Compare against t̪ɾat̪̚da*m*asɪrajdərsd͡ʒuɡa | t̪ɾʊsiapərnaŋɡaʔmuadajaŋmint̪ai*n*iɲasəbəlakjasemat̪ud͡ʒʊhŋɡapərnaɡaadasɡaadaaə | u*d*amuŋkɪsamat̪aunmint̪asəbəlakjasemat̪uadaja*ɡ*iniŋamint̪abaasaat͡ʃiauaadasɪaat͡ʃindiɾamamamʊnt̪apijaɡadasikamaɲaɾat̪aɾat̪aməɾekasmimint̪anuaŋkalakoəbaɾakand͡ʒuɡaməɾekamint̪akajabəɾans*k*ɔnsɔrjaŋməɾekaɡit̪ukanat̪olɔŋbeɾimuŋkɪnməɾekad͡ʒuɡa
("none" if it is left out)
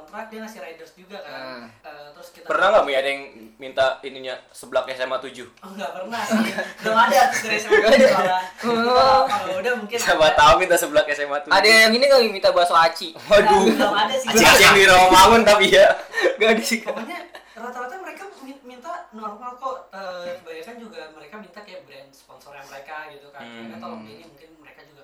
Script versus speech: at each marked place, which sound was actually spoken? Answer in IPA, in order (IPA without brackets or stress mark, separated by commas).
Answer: ŋ, n, d, ŋ, p